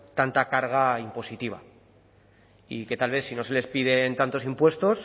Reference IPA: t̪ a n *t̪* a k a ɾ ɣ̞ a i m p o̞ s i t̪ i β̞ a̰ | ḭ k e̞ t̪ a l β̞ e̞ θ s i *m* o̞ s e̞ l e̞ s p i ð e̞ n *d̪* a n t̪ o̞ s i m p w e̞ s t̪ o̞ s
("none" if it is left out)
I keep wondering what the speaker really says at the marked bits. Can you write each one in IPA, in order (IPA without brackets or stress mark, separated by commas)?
t̪, n, t̪